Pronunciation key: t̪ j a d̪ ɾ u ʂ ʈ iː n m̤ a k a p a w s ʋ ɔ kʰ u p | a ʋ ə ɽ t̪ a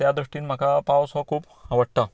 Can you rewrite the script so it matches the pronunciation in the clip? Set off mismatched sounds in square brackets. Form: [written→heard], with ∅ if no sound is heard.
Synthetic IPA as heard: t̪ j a d̪ ɾ u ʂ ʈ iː n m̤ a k a p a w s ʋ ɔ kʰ [u→uː] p | a ʋ ə ɽ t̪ a